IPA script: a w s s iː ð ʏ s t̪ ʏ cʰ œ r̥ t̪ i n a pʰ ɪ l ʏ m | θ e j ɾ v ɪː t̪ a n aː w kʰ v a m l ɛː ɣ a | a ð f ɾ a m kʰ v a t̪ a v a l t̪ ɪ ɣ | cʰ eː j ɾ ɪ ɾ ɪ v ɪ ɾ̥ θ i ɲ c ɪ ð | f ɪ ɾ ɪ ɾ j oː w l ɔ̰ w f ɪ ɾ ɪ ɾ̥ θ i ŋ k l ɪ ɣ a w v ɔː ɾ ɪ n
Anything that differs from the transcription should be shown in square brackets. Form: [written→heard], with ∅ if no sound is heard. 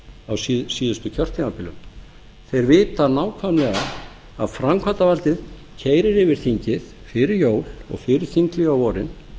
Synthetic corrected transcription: a w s s iː ð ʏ s t̪ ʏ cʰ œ r̥ t̪ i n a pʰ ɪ l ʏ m | θ e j ɾ v ɪː t̪ a n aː w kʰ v a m l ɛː ɣ a | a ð f ɾ a m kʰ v a t̪ a v a l t̪ ɪ [ɣ→ð] | cʰ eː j ɾ ɪ ɾ ɪ v ɪ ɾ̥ θ i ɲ c ɪ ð | f ɪ ɾ ɪ ɾ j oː w l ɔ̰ [w→ɣ] f ɪ ɾ ɪ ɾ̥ θ i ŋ k l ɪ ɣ a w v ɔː ɾ ɪ n